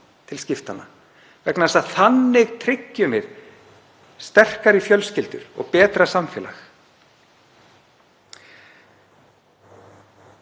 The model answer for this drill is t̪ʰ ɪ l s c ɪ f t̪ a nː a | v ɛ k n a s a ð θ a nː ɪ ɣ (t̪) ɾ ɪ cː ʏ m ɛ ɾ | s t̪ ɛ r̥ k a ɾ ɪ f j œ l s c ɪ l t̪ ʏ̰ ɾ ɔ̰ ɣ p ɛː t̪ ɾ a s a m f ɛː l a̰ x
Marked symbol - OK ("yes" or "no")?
no